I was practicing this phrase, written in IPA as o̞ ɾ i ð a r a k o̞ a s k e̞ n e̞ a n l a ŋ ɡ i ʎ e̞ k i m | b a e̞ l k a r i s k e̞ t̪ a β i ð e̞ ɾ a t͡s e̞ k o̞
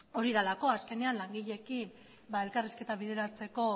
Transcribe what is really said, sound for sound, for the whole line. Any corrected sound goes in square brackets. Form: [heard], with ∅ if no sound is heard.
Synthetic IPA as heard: o̞ ɾ i ð a [l] a k o̞ a s k e̞ n e̞ a n l a ŋ ɡ i ʎ e̞ k i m | b a e̞ l k a r i s k e̞ t̪ a β i ð e̞ ɾ a t͡s e̞ k o̞